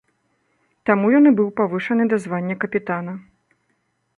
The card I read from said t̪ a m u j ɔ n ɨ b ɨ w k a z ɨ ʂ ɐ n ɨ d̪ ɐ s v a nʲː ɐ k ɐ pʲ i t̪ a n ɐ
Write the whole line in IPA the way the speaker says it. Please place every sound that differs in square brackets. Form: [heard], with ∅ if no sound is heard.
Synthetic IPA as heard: t̪ a m u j ɔ n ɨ b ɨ w [p] a [v] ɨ ʂ ɐ n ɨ d̪ ɐ [z] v a nʲː ɐ k ɐ pʲ i t̪ a n ɐ